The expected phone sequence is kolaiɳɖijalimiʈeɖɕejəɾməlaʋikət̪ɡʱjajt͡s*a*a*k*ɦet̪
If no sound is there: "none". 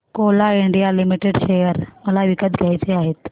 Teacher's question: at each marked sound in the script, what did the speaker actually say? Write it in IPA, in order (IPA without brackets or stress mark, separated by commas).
e, none